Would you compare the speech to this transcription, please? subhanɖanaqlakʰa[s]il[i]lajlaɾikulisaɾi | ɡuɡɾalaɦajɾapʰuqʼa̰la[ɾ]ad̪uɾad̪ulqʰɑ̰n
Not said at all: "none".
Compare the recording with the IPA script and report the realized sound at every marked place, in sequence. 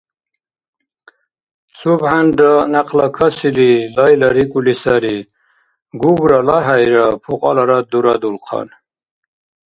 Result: s, i, ɾ

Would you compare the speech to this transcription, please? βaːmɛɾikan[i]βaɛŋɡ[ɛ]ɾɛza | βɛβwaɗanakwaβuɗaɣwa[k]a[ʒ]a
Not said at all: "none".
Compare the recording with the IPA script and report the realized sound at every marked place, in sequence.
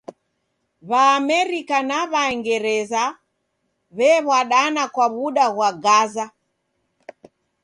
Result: a, ɛ, ɡ, z

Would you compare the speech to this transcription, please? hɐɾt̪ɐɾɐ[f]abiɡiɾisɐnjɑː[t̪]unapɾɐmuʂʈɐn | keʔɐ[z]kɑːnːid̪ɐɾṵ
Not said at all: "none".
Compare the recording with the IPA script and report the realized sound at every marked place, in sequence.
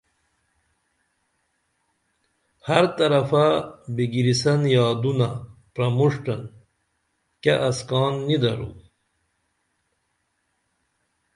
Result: f, d̪, s

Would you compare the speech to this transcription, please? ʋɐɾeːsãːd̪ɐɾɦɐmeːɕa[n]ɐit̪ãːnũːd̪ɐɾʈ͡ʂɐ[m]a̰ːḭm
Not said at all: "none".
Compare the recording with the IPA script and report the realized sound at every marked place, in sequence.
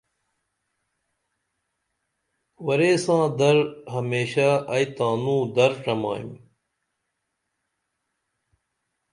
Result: none, m

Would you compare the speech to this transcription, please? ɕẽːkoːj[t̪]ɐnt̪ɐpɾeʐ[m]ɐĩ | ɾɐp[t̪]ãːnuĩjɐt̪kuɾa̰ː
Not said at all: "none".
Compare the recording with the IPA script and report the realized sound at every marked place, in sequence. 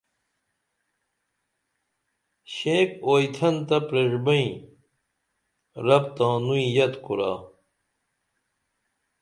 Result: t̪ʰ, b, t̪

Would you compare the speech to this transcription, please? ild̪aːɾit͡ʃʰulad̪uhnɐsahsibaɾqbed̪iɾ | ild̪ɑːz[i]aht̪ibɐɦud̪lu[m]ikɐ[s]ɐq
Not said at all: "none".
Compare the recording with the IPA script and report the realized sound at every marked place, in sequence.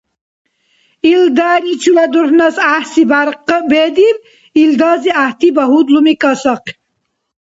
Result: i, m, s

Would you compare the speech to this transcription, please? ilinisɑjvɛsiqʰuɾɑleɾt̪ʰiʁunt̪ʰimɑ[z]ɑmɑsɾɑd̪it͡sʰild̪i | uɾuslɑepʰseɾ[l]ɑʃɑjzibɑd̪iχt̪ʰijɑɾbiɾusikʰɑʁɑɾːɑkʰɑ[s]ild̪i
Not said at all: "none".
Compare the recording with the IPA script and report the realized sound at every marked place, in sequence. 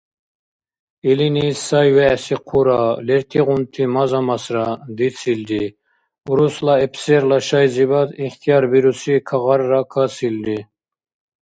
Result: z, l, s

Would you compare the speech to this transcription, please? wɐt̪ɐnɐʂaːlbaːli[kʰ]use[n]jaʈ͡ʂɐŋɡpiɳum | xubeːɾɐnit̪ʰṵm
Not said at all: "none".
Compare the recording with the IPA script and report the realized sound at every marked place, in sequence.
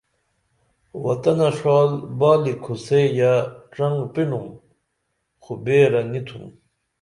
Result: kʰ, none

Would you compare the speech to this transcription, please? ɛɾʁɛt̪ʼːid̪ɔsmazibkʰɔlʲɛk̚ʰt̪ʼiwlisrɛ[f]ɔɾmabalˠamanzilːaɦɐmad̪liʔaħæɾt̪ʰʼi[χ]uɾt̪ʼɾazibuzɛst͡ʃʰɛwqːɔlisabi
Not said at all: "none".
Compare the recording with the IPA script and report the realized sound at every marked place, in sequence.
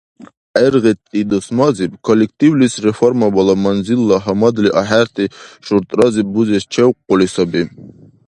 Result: f, ʃ

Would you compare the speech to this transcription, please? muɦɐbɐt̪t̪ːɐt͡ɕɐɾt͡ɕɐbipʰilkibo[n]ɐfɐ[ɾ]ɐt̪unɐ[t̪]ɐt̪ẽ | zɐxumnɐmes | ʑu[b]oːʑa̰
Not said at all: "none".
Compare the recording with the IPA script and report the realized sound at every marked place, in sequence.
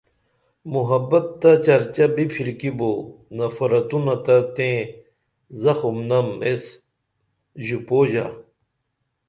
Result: n, ɾ, t̪, p

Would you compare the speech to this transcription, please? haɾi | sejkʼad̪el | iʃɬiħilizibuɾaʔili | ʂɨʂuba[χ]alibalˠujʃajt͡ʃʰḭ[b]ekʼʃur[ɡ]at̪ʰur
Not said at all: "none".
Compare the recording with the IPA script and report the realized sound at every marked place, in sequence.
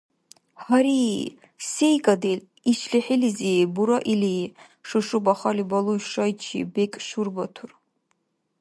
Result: χ, b, b

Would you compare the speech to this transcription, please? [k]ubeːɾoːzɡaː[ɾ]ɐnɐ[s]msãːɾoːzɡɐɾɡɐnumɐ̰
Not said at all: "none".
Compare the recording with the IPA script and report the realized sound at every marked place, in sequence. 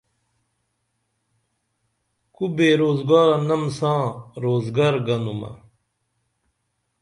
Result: k, ɾ, none

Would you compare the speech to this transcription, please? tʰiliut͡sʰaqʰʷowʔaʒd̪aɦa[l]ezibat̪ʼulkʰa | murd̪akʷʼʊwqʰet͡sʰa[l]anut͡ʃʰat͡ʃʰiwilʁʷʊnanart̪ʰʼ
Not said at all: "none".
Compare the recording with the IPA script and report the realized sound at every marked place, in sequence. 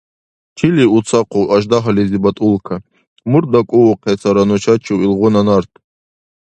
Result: l, ɾ

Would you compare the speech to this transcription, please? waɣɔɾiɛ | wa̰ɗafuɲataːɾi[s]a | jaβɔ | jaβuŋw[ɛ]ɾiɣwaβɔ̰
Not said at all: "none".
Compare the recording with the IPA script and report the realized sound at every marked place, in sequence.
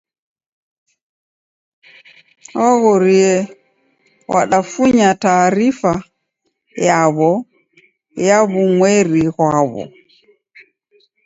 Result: f, ɛ

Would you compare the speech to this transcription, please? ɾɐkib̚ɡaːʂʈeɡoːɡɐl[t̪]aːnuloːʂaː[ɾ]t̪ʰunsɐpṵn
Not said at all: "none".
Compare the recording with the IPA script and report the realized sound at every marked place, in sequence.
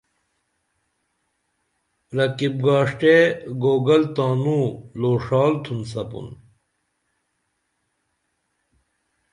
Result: t̪, l

